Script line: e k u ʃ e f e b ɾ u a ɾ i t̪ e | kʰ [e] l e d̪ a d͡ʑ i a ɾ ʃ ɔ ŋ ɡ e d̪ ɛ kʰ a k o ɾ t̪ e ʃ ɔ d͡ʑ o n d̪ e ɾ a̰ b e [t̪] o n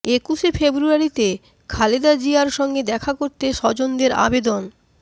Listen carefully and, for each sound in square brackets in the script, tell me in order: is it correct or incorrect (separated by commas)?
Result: incorrect, incorrect